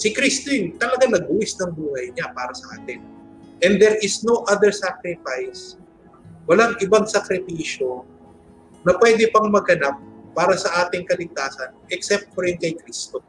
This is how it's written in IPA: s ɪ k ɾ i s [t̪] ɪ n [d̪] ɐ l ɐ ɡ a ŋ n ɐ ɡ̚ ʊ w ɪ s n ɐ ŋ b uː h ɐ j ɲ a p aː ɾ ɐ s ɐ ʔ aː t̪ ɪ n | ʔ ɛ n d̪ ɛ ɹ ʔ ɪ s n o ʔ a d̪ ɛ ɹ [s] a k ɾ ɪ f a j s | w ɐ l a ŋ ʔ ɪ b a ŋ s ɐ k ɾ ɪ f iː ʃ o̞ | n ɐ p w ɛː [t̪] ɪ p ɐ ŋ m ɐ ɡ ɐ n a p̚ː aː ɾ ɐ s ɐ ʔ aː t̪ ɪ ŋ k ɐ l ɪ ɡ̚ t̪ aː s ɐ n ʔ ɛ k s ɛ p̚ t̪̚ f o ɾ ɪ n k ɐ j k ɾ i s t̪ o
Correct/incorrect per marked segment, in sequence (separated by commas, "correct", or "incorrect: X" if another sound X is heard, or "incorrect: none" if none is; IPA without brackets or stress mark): correct, incorrect: t̪, correct, incorrect: d̪